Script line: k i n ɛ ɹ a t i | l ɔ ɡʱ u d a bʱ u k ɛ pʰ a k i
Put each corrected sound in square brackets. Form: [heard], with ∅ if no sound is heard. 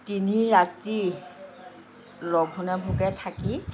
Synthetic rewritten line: [t] i n [i] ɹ a t i | l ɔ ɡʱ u [n] a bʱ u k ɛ [tʰ] a k i

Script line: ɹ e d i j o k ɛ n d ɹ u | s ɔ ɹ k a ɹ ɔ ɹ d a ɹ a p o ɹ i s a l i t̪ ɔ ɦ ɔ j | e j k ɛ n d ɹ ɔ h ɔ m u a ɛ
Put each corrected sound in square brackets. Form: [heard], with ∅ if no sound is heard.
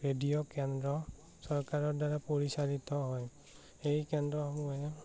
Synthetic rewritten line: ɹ e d i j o k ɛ n d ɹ [ɔ] | s ɔ ɹ k a ɹ ɔ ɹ d a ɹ a p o ɹ i s a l i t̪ ɔ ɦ ɔ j | e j k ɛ n d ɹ ɔ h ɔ m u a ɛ

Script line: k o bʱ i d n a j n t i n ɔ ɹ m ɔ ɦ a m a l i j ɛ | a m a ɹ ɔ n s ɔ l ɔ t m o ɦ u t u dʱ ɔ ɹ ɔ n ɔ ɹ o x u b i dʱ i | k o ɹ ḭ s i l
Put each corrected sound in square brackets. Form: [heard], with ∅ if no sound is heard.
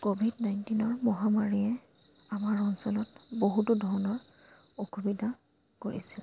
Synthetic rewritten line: k o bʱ i d n a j n t i n ɔ ɹ m ɔ ɦ a m a [ɹ] i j ɛ | a m a ɹ ɔ n s ɔ l ɔ t [b] o ɦ u t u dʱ ɔ ɹ ɔ n ɔ ɹ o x u b i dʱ [a] | k o ɹ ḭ s i l

